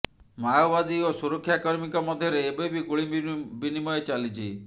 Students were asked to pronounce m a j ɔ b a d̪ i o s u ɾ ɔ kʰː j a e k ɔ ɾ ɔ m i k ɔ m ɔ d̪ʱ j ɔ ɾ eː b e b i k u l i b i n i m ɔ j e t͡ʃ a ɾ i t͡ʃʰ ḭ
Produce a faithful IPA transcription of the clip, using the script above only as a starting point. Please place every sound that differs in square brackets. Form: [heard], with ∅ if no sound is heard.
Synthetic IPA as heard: m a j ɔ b a d̪ i o s u ɾ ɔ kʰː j a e k ɔ ɾ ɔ m i k ɔ m ɔ d̪ʱ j ɔ ɾ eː b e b i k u [ɭ] i b i n i m ɔ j e t͡ʃ a [l] i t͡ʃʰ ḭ